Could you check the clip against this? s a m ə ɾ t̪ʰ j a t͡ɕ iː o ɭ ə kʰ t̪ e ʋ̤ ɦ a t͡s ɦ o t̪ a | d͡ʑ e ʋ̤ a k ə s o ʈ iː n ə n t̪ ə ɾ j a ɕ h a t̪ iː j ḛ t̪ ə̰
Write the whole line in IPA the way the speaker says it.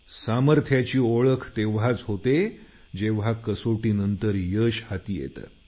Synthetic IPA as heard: s a m ə ɾ t̪ʰ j a t͡ɕ iː o ɭ ə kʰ t̪ e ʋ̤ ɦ a t͡s ɦ o t̪ e | d͡ʑ e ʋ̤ a k ə s o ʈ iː n ə n t̪ ə ɾ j ə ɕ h a t̪ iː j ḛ t̪ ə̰